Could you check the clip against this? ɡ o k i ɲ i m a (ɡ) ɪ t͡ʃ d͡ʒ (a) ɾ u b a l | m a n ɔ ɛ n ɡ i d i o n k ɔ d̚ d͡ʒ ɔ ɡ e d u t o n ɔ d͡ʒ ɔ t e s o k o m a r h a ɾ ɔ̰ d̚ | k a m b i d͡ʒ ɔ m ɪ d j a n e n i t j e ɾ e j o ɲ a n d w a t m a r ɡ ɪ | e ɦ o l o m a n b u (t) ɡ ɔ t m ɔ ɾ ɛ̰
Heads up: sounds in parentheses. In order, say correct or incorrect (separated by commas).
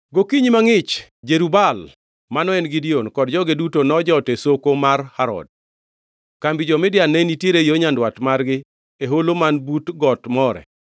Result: incorrect, incorrect, correct